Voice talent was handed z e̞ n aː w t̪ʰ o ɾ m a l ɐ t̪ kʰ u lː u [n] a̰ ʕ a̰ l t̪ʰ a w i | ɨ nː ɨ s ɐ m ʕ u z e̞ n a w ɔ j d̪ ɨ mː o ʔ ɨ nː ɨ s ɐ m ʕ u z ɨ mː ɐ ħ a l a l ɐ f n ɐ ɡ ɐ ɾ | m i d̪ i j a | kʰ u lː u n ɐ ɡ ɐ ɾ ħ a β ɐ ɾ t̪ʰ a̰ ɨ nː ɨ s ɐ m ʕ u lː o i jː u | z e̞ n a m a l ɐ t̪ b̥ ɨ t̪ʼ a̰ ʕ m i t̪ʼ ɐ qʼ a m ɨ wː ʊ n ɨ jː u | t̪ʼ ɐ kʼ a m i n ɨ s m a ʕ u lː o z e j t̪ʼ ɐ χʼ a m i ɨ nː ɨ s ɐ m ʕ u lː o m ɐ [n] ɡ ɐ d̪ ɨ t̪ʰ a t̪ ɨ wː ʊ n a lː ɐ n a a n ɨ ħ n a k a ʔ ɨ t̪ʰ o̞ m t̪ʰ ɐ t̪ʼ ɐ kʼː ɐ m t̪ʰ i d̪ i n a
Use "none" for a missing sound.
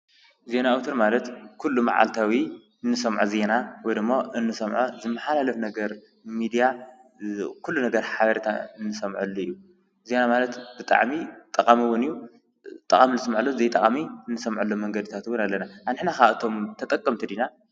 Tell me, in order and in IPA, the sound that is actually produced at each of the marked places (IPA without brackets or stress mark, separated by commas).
m, ŋ